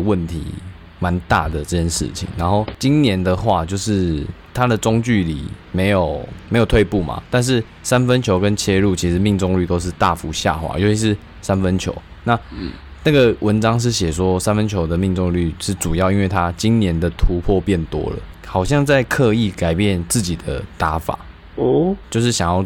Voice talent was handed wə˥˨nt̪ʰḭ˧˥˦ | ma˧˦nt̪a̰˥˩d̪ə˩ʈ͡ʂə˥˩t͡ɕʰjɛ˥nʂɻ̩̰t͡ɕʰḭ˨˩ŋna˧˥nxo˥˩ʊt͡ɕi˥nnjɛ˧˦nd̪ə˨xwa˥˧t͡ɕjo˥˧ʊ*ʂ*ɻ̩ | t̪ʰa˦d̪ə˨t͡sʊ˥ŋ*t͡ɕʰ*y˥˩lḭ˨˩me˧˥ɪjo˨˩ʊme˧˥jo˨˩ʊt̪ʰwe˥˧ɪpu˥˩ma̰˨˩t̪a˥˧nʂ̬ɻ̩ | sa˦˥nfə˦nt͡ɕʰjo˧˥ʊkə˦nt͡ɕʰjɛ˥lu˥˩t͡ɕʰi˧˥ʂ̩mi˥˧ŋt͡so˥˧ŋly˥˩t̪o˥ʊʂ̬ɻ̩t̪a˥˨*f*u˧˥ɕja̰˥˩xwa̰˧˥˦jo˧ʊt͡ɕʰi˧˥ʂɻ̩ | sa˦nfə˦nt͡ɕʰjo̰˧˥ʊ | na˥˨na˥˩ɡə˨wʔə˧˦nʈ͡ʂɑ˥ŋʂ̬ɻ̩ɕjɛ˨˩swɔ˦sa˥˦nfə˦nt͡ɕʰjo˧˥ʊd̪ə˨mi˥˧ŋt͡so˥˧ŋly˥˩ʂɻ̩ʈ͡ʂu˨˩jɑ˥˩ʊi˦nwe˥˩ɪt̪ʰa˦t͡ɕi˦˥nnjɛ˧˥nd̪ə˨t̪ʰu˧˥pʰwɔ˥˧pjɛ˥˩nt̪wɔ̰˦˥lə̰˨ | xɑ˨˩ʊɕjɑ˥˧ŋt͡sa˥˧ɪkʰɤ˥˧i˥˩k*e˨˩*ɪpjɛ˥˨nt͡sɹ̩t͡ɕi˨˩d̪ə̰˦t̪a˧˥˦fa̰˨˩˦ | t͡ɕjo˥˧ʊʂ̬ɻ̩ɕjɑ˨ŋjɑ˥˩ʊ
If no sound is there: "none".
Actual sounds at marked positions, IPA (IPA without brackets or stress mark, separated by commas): ʂ, t͡ɕ, f, a˨˩